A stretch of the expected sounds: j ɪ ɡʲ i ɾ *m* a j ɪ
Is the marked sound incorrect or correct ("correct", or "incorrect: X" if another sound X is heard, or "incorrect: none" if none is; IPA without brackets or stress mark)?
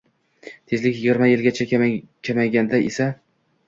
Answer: correct